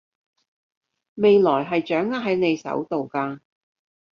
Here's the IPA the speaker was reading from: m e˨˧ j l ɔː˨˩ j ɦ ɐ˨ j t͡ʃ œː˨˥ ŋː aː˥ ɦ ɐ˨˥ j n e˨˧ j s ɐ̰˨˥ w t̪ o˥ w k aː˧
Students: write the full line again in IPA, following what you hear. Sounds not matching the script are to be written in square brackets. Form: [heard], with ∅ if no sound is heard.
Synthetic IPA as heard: m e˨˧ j l ɔː˨˩ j ɦ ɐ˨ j t͡ʃ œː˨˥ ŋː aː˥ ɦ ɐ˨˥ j n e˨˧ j s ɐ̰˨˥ w t̪ [o˨] w k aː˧